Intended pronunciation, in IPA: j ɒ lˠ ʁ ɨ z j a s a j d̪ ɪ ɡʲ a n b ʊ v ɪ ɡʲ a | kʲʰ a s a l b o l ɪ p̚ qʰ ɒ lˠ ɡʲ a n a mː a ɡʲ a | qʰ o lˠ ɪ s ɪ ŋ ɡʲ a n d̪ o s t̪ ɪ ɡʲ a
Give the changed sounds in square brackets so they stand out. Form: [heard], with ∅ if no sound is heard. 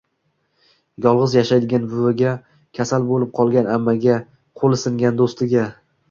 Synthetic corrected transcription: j ɒ lˠ ʁ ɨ z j a [ʃ] a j d̪ ɪ ɡʲ a n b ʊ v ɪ ɡʲ a | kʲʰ a s a l b o l ɪ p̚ qʰ ɒ lˠ ɡʲ a n a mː a ɡʲ a | qʰ o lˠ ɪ s ɪ ŋ ɡʲ a n d̪ o s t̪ ɪ ɡʲ a